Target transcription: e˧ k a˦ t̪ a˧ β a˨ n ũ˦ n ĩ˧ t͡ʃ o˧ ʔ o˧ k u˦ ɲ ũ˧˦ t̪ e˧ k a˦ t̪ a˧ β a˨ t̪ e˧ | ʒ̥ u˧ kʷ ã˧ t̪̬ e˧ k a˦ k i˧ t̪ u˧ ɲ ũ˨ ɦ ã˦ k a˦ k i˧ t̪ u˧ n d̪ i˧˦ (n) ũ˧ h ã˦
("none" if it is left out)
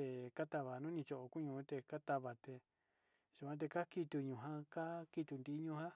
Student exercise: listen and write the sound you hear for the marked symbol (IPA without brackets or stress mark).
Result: ɲ